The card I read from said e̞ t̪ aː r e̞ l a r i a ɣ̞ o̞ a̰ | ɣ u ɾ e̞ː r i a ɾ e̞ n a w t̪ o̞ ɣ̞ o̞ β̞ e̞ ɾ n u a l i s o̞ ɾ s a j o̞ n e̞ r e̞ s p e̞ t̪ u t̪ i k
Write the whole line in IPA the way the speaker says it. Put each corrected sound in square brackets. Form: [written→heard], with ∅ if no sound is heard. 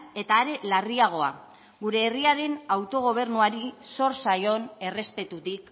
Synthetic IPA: e̞ t̪ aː [r→ɾ] e̞ l a r i a ɣ̞ o̞ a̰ | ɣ u ɾ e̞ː r i a ɾ e̞ n a w t̪ o̞ ɣ̞ o̞ β̞ e̞ ɾ n u a [l→ɾ] i s o̞ ɾ s a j o̞ n e̞ r e̞ s p e̞ t̪ u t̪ i k